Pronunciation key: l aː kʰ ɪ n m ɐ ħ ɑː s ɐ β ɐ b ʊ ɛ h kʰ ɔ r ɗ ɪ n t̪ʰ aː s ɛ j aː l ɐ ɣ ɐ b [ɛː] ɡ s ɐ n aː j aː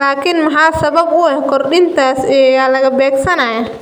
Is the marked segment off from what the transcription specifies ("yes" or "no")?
no